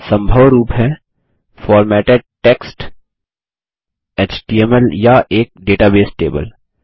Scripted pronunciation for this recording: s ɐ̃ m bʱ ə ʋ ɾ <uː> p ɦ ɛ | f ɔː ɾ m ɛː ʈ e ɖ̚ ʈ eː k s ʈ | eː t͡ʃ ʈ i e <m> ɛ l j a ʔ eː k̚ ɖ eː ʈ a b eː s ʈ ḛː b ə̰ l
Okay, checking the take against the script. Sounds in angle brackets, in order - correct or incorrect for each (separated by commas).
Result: correct, correct